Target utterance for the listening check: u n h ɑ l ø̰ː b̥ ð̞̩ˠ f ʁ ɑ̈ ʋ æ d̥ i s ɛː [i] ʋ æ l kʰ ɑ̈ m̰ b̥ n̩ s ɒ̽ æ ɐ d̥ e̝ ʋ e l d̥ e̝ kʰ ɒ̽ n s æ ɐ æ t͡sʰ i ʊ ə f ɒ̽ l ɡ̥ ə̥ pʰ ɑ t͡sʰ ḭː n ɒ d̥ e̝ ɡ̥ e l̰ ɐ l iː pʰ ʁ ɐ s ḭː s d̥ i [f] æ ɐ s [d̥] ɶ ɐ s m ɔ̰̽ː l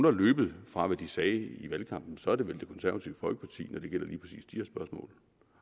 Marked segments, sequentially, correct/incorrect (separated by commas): correct, incorrect, incorrect